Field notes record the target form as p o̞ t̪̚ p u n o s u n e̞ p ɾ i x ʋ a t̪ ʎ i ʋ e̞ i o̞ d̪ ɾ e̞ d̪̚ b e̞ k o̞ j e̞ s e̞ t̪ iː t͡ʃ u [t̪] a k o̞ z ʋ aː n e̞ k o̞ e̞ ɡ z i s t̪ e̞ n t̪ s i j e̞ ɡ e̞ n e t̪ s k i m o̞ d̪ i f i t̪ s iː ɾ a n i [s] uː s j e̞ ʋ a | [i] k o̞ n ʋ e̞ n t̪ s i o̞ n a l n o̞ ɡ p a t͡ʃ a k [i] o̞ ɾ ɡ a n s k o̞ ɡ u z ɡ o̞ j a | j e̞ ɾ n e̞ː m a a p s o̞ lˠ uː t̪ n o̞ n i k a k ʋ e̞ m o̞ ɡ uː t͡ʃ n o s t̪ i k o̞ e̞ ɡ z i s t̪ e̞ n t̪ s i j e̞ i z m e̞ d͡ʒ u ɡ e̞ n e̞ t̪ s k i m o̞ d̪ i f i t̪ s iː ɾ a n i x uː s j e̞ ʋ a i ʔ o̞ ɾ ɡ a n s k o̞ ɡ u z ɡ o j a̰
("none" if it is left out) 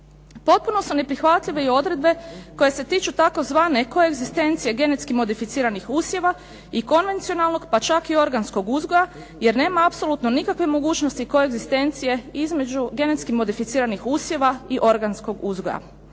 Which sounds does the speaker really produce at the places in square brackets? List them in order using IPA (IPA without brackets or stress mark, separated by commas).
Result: t̪, x, i, i